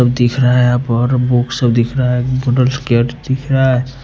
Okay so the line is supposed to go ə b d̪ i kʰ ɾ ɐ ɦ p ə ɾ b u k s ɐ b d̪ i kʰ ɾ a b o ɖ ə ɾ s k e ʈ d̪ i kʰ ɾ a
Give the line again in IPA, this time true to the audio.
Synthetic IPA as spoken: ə b d̪ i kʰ ɾ a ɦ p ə ɾ b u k s ə b d̪ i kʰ ɾ a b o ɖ ə l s k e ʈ d̪ i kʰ ɾ a